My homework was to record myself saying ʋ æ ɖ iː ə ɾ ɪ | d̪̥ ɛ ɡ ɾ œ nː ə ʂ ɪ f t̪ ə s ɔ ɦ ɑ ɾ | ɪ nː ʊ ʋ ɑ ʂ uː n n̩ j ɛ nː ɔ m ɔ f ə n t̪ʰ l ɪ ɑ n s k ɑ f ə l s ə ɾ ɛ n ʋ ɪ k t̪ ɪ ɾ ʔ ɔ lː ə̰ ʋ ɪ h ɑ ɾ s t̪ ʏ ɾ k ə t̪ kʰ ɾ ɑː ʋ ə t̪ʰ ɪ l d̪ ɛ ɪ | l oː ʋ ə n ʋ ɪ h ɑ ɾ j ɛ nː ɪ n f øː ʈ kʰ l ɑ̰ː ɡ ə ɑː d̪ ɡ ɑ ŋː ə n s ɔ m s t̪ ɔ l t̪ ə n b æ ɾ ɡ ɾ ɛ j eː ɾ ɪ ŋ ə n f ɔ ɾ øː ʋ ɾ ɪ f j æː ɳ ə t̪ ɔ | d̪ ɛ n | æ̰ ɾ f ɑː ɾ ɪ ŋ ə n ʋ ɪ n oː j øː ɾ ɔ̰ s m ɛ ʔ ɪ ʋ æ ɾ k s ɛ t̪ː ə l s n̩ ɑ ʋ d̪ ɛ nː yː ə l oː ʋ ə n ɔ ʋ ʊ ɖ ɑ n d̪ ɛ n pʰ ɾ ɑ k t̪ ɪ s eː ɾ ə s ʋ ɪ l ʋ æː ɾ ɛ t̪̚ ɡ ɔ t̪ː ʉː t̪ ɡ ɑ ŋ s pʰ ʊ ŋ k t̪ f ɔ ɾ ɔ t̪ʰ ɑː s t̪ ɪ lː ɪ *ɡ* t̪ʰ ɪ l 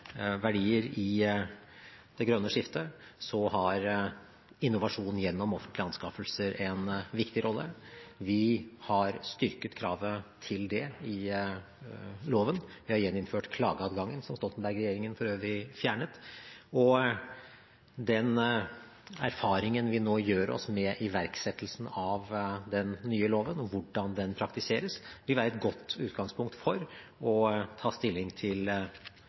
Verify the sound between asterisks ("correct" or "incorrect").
incorrect